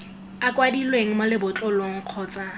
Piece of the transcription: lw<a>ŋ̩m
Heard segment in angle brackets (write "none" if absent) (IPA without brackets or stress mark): e